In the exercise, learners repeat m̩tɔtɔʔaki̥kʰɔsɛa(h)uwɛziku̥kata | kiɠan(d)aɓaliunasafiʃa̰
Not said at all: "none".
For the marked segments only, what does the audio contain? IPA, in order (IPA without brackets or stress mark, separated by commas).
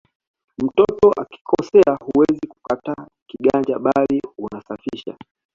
h, d͡ʒ